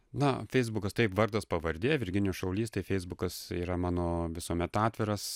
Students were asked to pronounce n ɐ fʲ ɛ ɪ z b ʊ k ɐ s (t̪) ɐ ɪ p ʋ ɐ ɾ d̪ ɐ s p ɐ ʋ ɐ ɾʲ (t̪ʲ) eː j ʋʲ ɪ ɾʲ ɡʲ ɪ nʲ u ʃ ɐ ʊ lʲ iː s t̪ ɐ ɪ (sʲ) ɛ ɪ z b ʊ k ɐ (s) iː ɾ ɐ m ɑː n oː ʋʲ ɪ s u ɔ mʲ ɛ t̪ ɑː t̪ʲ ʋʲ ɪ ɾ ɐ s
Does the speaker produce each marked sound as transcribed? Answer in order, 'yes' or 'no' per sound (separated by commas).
yes, no, no, yes